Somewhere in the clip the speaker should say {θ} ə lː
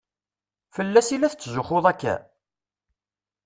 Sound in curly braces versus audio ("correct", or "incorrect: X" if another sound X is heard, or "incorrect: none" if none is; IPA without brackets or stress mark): incorrect: f